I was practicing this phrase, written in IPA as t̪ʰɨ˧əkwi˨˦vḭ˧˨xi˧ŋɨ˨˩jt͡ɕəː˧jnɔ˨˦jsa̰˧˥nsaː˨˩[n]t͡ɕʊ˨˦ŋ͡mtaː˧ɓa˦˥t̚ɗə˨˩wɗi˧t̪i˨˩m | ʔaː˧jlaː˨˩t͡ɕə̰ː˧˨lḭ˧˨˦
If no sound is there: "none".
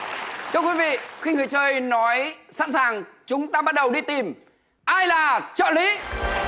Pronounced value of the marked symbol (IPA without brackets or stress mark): ŋ